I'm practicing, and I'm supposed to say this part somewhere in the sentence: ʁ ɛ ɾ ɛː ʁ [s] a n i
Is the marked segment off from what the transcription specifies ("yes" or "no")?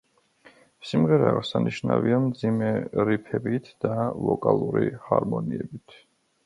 no